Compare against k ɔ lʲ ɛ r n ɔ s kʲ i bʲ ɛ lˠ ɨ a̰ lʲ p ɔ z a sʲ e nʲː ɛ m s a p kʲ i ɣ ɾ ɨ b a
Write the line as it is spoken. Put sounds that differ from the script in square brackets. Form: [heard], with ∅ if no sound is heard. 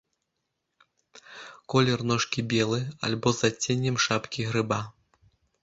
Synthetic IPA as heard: k ɔ lʲ ɛ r n ɔ [ʂ] kʲ i bʲ ɛ lˠ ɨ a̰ lʲ [b] ɔ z a [t͡sʲ] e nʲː ɛ m [ʂ] a p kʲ i ɣ ɾ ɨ b a